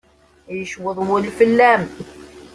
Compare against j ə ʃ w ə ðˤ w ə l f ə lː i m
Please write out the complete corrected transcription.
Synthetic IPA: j ə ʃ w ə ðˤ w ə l f ə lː æ m